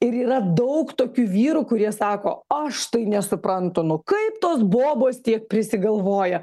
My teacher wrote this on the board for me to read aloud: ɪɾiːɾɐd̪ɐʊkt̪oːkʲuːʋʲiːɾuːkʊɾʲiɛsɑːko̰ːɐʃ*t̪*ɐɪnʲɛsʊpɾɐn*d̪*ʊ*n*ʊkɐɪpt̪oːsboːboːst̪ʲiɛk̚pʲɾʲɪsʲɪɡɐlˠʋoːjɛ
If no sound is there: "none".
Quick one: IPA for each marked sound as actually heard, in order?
t̪, t̪, n

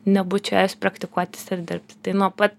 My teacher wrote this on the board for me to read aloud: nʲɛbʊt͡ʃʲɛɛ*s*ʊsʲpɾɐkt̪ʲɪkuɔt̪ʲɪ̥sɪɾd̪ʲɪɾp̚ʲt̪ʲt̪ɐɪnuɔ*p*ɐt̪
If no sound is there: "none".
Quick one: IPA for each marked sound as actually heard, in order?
none, p

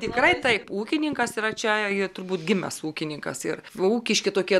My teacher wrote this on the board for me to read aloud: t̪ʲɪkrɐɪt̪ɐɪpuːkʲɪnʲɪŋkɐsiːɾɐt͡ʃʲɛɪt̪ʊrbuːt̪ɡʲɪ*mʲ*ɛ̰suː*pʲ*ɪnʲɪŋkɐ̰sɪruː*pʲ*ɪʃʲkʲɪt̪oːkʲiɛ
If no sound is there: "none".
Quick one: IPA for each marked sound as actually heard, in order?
mʲ, kʲ, kʲ

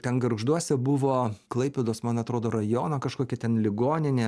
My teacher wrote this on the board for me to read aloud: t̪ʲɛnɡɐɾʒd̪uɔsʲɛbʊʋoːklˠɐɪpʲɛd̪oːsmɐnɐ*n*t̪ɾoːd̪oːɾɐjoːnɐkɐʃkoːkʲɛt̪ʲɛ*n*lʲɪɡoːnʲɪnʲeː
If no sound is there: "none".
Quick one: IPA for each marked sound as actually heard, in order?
none, n

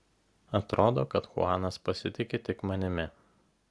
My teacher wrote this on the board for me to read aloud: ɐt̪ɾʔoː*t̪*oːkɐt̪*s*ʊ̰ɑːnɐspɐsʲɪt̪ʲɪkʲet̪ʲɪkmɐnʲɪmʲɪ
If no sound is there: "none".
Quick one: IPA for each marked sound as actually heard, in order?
d̪, x

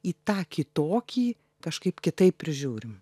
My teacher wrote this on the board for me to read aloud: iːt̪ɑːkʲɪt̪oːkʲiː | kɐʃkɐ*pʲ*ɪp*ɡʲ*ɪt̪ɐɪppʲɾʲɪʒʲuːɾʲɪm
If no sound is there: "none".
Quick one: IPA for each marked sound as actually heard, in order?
none, kʲ

